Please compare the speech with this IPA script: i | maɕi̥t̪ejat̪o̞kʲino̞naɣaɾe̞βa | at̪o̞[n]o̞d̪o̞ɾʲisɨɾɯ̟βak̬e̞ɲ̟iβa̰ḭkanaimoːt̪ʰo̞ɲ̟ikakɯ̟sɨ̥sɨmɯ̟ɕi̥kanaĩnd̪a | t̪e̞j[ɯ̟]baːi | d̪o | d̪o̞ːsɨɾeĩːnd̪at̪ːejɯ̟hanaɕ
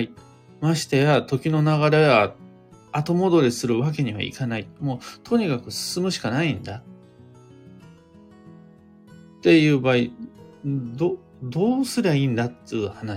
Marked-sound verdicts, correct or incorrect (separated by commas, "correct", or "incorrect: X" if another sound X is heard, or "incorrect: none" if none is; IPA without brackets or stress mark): incorrect: m, incorrect: ɯ̟ː